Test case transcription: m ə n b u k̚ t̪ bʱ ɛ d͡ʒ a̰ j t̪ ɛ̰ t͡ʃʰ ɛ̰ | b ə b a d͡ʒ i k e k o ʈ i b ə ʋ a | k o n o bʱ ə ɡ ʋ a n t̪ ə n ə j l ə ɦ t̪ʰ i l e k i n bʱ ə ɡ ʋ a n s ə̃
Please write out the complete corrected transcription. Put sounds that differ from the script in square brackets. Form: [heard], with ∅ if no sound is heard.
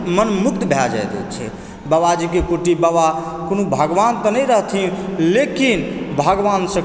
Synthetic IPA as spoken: m ə n [m] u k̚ t̪ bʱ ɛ d͡ʒ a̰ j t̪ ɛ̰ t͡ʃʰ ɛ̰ | b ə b a d͡ʒ i k e k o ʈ i b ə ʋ a | k o n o bʱ ə ɡ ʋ a n t̪ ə n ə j [ɾ] ə ɦ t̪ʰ i l e k i n bʱ ə ɡ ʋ a n s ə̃